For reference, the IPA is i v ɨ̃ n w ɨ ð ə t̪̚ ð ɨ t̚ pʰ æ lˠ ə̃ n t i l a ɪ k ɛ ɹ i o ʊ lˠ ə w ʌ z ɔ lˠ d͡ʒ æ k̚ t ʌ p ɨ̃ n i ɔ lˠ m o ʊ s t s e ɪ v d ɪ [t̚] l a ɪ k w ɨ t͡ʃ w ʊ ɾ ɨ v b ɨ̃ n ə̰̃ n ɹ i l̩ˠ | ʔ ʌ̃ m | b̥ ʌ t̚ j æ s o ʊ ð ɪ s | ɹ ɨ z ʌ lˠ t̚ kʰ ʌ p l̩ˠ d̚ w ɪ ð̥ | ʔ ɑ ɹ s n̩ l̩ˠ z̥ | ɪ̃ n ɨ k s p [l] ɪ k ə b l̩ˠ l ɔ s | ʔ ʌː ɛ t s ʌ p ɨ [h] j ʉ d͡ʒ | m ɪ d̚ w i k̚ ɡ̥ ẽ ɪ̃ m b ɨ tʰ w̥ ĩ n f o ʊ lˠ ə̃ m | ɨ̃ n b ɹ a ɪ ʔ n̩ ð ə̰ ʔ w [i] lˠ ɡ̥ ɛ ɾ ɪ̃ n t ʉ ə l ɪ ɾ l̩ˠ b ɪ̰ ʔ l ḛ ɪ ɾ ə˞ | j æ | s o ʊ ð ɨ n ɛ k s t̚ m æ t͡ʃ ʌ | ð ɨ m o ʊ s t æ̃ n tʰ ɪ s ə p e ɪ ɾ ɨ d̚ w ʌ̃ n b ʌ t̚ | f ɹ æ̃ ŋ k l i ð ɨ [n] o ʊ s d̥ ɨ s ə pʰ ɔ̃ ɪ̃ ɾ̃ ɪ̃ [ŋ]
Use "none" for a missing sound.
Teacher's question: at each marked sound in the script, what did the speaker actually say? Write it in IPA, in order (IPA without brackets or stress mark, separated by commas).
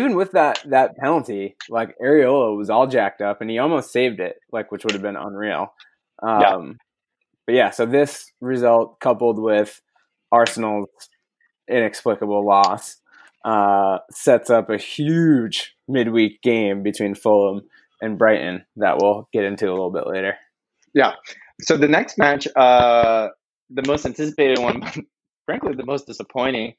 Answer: t̚, l, h, ɪ, m, ŋ